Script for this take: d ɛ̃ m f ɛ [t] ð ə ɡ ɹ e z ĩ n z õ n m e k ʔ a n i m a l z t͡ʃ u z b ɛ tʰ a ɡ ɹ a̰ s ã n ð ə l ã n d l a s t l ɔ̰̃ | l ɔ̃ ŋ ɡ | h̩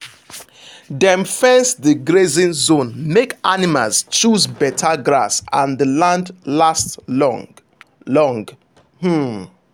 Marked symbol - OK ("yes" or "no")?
no